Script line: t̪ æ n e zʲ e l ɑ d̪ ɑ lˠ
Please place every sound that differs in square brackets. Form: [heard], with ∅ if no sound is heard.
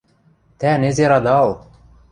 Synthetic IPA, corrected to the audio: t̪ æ n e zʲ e [ɾ] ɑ d̪ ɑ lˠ